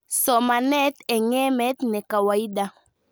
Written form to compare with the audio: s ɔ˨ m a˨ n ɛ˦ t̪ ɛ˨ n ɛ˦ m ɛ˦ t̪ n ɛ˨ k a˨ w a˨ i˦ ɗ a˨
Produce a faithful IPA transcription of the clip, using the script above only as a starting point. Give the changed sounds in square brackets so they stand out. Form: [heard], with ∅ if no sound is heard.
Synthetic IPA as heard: s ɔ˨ m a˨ n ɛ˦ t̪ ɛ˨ [ŋ] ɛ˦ m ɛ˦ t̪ n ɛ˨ k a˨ w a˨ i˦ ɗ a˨